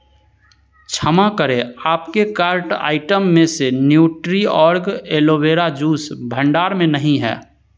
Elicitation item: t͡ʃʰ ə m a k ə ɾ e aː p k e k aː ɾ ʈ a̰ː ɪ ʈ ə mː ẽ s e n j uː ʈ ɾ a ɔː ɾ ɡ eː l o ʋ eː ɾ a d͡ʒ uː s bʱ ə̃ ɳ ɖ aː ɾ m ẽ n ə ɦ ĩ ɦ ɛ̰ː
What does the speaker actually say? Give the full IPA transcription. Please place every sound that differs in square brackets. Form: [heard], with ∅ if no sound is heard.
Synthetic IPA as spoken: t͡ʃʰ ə m a k ə ɾ e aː p k e k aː ɾ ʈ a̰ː ɪ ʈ ə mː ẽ s e n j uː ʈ ɾ [i] ɔː ɾ ɡ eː l o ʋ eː ɾ a d͡ʒ uː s bʱ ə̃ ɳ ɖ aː ɾ m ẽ n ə ɦ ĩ ɦ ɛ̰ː